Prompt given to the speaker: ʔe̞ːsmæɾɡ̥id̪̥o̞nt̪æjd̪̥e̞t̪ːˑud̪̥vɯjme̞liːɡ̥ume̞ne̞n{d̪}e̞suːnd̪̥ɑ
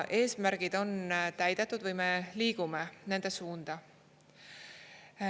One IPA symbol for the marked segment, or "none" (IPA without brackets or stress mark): d̪